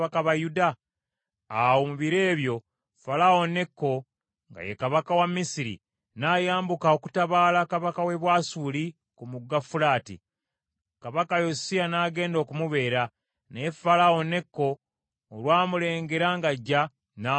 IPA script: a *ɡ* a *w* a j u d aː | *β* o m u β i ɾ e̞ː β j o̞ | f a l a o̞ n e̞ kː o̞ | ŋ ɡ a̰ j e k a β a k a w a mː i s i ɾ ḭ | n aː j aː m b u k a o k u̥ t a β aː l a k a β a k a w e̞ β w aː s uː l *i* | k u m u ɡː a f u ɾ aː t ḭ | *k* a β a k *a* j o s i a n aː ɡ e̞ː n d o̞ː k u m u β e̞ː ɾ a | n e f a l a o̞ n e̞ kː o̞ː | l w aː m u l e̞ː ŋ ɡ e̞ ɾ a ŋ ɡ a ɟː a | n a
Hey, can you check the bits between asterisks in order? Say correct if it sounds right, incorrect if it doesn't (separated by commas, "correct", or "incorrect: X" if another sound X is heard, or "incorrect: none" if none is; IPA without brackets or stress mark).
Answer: incorrect: k, incorrect: β, incorrect: w, correct, correct, correct